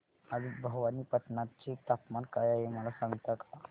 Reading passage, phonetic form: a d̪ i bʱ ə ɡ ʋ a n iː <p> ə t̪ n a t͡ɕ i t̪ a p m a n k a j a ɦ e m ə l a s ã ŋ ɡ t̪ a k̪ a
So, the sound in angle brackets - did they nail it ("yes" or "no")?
yes